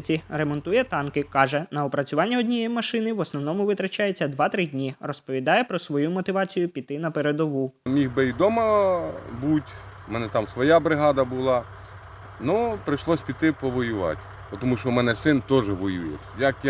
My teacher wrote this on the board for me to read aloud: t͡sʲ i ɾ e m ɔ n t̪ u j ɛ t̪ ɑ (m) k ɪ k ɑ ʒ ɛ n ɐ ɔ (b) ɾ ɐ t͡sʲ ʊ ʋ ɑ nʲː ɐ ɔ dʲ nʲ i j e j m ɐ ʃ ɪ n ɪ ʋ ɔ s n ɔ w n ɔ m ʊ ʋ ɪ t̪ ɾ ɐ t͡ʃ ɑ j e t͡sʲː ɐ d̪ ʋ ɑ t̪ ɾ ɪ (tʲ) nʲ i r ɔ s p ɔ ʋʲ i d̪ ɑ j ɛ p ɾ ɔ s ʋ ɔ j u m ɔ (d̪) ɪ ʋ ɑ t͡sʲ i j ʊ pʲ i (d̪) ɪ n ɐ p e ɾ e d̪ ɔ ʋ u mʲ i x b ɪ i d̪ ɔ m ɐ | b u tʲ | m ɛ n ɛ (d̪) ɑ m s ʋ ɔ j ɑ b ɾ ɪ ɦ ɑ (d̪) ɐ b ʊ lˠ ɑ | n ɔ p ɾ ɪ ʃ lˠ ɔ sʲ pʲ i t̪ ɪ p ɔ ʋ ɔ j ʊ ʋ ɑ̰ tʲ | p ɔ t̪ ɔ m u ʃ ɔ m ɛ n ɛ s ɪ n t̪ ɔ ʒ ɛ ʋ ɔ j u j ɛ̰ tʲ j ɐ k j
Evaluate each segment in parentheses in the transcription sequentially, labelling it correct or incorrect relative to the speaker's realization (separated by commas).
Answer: incorrect, incorrect, incorrect, incorrect, incorrect, incorrect, correct